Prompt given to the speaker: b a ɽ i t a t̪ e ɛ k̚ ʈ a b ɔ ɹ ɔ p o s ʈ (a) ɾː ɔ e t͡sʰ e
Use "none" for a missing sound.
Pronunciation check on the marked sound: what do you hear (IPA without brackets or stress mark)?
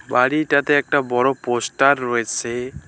a